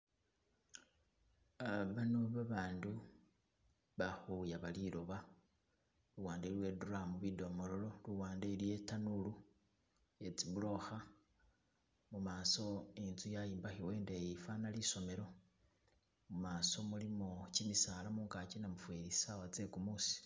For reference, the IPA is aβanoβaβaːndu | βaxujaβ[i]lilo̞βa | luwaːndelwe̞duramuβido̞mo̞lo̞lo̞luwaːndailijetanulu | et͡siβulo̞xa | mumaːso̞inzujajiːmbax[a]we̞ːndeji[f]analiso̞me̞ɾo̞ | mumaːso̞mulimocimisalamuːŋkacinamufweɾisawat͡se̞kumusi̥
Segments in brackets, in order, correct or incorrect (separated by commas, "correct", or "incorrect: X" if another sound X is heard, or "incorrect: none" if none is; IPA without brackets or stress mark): incorrect: a, incorrect: i, correct